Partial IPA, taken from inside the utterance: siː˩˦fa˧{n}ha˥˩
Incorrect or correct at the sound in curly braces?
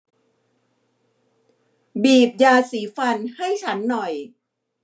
correct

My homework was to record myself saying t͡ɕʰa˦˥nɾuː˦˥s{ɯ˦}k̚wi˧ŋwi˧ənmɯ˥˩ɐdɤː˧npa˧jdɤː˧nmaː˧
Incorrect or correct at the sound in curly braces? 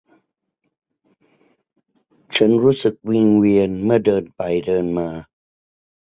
incorrect: ɯ˨˩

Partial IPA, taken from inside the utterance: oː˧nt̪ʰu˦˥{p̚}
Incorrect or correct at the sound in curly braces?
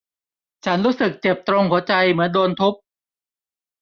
correct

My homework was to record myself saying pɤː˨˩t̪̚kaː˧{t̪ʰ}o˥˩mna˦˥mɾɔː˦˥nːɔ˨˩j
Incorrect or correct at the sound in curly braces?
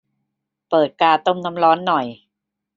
incorrect: t̪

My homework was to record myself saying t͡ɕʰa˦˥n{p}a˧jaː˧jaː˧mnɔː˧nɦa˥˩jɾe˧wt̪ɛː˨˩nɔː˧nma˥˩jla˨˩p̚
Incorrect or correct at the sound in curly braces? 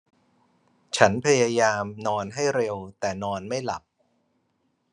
incorrect: pʰ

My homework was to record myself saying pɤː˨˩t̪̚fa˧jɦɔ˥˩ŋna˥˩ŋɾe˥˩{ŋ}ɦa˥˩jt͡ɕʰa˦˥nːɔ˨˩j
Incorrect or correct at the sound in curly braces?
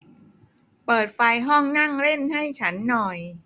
incorrect: n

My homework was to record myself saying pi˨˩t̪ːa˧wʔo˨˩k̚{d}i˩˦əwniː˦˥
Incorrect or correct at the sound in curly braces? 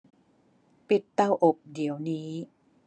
correct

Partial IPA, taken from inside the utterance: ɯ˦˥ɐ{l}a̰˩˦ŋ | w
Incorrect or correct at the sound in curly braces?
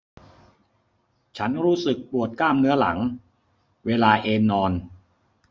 correct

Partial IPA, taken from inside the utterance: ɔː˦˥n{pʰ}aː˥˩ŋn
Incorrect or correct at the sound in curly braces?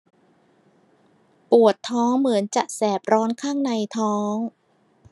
incorrect: kʰ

